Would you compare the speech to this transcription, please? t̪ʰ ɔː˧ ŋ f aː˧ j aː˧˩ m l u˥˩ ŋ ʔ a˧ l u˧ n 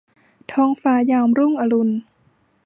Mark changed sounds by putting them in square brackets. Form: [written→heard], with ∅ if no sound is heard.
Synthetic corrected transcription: t̪ʰ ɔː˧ ŋ f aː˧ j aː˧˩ m [l→ɾ] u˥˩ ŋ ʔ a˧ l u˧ n